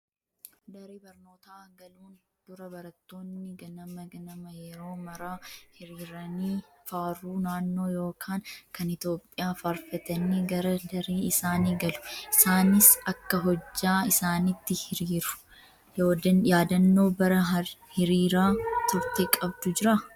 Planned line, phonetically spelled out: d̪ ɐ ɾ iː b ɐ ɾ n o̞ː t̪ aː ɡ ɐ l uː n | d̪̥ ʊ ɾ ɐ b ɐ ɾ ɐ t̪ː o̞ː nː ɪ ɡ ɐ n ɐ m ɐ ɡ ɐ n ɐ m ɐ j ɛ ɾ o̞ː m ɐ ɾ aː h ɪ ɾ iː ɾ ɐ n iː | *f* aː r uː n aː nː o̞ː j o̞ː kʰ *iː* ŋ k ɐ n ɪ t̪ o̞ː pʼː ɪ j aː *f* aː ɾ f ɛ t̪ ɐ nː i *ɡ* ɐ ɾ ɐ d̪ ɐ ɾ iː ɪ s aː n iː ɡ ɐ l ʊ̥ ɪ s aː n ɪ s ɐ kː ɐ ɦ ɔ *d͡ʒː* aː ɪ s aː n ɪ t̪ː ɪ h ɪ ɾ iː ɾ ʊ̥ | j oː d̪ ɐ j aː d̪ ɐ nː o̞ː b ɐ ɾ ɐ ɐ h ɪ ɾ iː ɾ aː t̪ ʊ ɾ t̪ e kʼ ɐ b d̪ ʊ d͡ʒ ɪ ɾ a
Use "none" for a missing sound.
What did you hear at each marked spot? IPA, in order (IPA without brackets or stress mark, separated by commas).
f, aː, f, ɡ, d͡ʒː